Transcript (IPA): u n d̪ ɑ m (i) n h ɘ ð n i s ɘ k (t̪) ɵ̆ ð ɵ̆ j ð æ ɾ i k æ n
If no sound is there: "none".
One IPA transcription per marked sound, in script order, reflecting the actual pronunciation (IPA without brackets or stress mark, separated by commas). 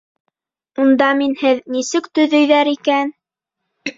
i, t̪